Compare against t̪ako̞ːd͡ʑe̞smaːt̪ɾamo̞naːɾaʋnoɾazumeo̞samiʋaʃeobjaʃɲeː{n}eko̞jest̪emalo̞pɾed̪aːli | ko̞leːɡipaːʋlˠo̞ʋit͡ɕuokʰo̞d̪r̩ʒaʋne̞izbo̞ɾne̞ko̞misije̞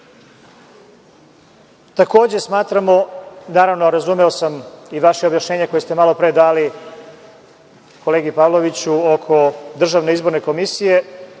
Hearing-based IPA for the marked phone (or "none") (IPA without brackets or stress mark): ɲ